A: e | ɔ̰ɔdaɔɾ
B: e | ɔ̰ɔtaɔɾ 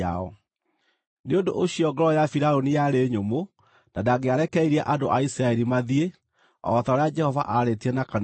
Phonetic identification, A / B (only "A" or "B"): B